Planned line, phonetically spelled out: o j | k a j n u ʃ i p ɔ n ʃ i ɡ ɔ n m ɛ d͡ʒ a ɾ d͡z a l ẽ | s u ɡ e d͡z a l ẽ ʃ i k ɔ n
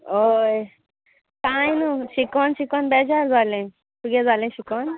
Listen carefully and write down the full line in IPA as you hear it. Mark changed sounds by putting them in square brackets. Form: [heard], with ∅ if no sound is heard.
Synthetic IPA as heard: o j | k a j n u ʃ i [k] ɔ n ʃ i [k] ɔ n [b] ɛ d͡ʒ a ɾ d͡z a l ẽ | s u ɡ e d͡z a l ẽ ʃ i k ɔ n